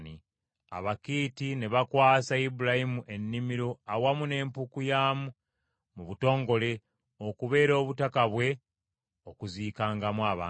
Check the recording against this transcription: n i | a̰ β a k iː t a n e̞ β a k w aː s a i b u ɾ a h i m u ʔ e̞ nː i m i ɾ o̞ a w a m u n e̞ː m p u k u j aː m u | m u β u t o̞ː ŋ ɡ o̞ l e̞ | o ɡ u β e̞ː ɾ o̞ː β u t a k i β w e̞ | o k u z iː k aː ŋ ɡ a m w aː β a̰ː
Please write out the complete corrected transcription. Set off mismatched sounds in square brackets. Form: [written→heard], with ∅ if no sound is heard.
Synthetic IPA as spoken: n i | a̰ β a k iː t [a→i] n e̞ β a k w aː s a i b u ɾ a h i m u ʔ e̞ nː i m i ɾ o̞ a w a m u n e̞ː m p u k u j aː m u | m u β u t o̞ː ŋ ɡ o̞ l e̞ | o [ɡ→k] u β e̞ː ɾ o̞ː β u t a k [i→a] β w e̞ | o k u z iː k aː ŋ ɡ a m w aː β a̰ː